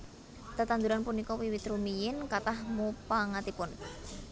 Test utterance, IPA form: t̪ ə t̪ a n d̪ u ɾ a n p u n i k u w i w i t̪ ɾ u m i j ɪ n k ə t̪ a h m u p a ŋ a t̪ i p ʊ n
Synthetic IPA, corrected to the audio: t̪ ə t̪ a n d̪ u ɾ a n p u n i k ɔ w i w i t̪ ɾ u m i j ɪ n k a t̪ a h m u p a ŋ a t̪ i p ʊ n